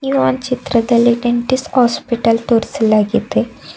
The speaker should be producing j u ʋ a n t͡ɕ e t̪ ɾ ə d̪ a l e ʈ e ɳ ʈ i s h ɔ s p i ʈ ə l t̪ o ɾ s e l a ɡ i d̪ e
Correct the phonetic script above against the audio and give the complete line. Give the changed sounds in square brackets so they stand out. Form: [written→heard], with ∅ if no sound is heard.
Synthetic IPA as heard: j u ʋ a n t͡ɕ [e→i] t̪ ɾ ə d̪ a l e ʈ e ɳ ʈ i s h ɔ s p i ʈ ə l t̪ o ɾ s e l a ɡ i [d̪→t̪] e